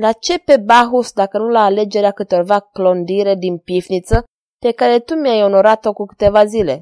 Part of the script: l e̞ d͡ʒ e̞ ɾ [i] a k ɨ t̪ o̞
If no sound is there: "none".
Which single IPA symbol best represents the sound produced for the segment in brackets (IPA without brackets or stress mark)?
e